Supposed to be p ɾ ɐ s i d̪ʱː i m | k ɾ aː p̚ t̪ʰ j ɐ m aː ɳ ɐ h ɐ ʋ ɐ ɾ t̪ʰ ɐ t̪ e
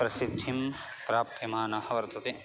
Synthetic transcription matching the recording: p ɾ ɐ s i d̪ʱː i m | p ɾ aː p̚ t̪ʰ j ɐ m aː n ɐ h ɐ ʋ ɐ ɾ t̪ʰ ɐ t̪ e